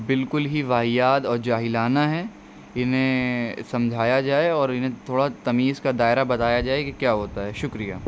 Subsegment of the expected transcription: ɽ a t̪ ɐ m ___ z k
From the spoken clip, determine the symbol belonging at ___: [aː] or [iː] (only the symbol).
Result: iː